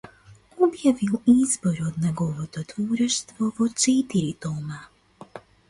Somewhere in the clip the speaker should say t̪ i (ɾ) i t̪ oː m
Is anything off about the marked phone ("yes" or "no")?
no